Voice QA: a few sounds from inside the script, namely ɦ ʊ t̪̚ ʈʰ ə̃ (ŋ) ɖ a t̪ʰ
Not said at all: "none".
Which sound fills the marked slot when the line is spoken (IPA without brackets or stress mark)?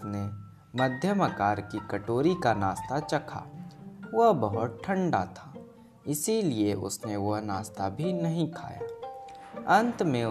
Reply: ɳ